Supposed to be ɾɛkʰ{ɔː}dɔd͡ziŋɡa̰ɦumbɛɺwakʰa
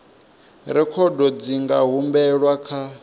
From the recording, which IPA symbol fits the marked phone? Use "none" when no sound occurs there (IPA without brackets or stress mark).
ɔ